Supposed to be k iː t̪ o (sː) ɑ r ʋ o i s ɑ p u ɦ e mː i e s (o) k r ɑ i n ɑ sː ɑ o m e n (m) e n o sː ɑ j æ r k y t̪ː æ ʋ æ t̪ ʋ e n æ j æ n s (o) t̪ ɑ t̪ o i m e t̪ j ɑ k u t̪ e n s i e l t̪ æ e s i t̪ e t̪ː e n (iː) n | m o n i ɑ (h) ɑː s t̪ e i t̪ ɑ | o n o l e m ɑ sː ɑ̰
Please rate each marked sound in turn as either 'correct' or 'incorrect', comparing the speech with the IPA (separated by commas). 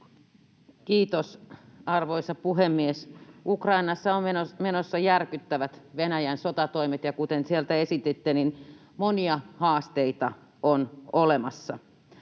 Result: incorrect, incorrect, correct, correct, incorrect, correct